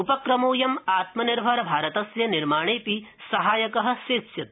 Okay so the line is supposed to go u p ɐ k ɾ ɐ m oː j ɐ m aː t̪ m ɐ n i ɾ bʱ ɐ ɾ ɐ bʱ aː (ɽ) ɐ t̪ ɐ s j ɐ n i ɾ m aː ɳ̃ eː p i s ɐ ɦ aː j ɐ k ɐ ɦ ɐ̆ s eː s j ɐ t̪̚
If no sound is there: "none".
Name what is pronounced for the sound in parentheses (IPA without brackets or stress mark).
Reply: ɾ